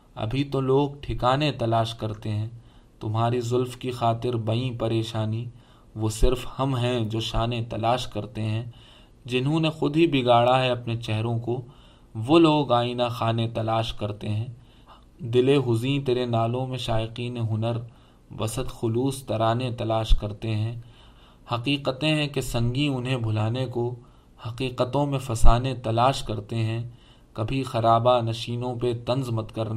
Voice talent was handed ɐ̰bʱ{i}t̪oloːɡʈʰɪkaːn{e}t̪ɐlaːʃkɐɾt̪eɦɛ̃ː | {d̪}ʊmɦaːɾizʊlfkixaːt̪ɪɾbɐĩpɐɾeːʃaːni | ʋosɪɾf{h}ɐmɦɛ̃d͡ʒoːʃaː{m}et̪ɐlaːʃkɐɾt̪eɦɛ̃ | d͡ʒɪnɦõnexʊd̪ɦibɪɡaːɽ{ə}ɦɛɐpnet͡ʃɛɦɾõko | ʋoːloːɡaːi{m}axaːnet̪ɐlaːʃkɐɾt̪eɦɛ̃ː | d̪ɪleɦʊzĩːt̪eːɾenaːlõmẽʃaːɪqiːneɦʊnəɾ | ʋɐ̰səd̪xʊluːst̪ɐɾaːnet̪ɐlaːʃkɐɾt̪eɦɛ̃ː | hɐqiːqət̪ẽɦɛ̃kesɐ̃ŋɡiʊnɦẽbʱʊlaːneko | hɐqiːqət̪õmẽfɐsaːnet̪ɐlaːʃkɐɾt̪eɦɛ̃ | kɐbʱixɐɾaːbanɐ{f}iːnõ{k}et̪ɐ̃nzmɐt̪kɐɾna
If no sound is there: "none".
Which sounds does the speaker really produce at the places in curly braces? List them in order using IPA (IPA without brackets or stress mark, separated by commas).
i, e, t̪, h, n, a, n, ʃ, p